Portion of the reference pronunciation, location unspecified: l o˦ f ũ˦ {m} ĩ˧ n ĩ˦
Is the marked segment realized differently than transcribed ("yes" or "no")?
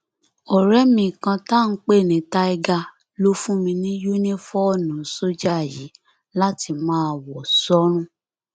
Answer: no